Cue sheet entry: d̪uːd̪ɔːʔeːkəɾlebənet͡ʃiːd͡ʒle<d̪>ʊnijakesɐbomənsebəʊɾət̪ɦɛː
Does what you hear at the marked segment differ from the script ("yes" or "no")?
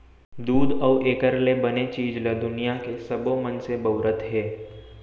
no